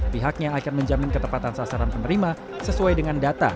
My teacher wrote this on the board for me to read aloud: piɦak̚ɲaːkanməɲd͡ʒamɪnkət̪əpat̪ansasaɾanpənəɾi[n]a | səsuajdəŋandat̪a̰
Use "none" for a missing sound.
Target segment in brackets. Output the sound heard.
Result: m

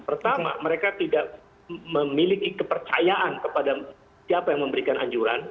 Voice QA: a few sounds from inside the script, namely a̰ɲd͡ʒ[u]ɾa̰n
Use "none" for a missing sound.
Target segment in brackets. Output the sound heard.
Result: u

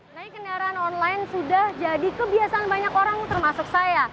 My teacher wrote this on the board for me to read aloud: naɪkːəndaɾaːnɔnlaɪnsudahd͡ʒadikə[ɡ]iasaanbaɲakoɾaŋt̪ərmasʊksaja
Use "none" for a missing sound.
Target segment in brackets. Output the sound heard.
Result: b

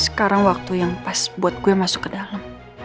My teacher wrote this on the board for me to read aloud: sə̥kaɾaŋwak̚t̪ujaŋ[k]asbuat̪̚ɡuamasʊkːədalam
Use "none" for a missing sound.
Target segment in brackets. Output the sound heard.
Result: p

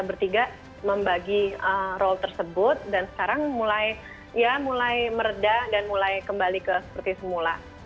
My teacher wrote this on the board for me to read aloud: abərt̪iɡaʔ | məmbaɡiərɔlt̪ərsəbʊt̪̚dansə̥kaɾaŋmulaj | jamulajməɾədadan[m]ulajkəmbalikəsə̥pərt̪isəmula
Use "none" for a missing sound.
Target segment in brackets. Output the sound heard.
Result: m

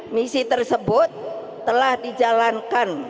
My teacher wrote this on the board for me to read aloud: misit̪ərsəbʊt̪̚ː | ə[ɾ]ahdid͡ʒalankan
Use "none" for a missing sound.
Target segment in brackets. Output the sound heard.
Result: l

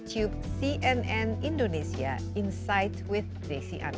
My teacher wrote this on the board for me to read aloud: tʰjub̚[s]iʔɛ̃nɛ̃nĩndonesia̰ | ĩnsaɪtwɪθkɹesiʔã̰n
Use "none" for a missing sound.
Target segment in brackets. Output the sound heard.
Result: s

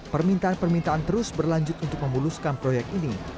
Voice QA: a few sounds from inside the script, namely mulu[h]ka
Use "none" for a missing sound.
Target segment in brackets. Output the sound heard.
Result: s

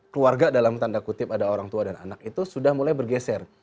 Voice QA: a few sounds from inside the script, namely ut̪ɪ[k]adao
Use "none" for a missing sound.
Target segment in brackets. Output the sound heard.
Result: p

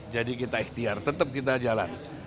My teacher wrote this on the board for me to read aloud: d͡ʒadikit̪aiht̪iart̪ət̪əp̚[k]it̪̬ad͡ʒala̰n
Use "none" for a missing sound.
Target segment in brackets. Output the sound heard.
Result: k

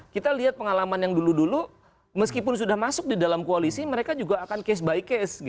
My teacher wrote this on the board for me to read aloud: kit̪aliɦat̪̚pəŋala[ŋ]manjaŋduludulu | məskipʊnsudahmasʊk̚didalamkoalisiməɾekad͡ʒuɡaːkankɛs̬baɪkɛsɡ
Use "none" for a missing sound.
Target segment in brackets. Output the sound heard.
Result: none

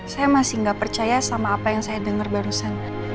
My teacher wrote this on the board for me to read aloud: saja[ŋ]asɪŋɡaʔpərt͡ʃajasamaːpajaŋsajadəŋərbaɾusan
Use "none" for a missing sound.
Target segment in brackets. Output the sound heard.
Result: m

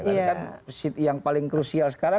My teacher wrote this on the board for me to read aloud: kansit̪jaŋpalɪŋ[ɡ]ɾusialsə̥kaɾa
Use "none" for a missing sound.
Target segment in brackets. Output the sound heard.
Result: k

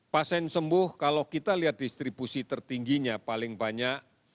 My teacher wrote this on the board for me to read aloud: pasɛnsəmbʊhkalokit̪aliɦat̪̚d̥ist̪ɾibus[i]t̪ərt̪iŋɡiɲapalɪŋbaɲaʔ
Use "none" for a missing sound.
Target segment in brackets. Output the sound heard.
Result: i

